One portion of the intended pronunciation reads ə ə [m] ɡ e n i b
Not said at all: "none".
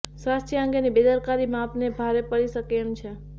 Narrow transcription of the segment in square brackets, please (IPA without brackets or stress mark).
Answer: ŋ